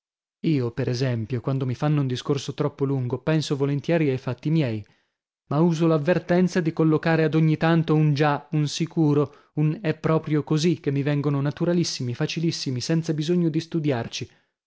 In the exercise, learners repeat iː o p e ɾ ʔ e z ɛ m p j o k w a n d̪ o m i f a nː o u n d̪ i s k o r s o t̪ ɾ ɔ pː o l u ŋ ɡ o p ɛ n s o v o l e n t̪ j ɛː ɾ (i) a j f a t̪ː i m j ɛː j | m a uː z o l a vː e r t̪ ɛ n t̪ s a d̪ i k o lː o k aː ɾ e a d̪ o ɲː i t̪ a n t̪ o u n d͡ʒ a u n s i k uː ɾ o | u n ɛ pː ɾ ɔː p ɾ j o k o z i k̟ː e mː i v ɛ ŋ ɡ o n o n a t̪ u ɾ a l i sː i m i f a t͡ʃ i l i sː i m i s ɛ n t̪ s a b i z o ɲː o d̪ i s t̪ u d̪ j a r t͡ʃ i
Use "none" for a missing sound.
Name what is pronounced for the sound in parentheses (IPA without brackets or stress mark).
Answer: i